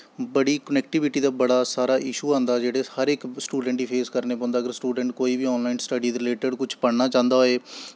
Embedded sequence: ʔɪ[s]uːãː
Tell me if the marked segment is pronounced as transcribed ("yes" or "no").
no